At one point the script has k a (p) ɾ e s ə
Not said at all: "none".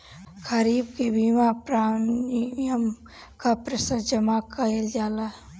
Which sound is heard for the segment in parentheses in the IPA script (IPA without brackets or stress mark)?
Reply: p